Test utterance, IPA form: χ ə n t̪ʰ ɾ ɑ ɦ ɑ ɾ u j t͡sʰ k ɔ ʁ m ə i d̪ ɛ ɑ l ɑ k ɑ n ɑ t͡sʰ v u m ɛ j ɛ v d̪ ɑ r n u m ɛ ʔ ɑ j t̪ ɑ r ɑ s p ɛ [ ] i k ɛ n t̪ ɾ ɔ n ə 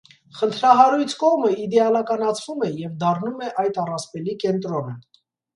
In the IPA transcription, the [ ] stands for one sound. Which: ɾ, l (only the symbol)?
l